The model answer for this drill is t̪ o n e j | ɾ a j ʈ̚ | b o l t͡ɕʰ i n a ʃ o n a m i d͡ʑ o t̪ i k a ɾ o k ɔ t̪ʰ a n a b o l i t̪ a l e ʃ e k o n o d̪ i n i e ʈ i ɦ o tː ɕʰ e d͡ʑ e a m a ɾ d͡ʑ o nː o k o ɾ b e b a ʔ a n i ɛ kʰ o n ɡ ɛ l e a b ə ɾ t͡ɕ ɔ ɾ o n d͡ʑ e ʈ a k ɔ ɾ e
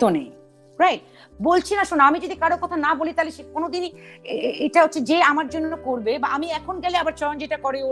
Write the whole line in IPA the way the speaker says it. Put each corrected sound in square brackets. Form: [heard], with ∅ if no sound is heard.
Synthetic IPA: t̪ o n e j | ɾ a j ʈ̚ | b o l t͡ɕʰ i n a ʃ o n a m i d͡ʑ o [d̪] i k a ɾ o k ɔ t̪ʰ a n a b o l i t̪ a l e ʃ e k o n o d̪ i n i e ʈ [a] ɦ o tː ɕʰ e d͡ʑ e a m a ɾ d͡ʑ o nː o k o ɾ b e b a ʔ a [m] i ɛ kʰ o n ɡ ɛ l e a b [a] ɾ t͡ɕ ɔ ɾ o n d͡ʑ e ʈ a k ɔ ɾ e